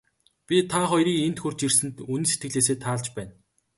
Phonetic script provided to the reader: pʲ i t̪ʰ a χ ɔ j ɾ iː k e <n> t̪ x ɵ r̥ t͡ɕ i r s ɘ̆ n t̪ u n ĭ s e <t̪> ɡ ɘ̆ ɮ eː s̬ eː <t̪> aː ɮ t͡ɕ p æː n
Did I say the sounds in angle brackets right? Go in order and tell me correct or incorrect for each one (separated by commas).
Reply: correct, correct, incorrect